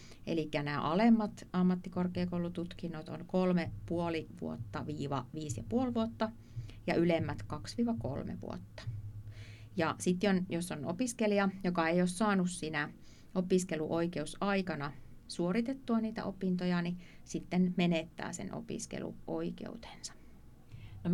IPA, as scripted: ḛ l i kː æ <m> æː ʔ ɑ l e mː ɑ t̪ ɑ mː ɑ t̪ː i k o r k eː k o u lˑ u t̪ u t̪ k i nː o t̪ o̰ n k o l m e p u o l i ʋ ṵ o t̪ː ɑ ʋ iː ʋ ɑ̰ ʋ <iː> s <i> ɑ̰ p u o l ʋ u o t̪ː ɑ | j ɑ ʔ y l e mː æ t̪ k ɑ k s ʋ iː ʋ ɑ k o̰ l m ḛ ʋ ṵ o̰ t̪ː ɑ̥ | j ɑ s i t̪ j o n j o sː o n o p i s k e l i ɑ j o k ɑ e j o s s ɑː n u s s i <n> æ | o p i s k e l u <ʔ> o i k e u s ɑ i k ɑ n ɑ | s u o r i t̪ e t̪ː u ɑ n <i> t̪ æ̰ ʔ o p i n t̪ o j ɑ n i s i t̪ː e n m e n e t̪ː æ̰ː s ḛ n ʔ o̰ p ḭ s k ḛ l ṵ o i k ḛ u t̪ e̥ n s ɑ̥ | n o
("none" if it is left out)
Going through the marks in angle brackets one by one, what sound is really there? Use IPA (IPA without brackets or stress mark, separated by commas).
n, iː, j, n, ʔ, iː